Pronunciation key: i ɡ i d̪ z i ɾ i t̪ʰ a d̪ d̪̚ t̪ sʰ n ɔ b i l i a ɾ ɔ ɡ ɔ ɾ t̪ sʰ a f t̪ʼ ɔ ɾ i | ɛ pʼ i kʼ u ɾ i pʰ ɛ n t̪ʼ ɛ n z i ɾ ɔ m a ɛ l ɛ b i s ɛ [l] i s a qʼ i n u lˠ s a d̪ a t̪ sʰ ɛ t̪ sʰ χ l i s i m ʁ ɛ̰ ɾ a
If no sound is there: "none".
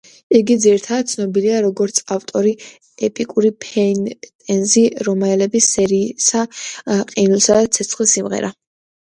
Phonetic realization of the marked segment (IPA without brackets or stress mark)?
ɾ